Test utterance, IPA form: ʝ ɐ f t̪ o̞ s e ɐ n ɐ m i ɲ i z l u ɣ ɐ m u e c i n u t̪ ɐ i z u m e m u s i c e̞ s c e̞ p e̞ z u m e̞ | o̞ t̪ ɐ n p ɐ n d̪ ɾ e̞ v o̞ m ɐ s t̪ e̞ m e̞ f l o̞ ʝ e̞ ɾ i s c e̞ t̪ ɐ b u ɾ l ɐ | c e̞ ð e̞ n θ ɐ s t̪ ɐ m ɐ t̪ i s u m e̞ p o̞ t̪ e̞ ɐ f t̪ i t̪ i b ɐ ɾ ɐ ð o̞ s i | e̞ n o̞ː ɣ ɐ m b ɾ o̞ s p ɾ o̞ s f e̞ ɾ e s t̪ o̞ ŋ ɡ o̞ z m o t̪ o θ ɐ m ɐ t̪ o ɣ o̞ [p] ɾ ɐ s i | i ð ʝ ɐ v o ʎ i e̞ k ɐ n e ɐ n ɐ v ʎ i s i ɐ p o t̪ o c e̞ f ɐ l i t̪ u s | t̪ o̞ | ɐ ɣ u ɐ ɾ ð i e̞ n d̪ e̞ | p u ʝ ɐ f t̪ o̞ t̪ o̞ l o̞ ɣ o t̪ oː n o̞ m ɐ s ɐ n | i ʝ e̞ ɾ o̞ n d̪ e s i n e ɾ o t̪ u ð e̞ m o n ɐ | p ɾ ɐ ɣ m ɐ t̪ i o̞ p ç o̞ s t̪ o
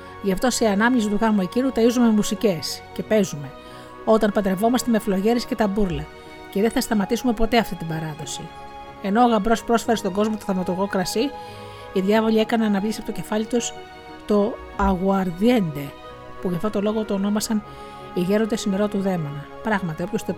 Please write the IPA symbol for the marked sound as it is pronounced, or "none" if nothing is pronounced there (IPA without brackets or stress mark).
k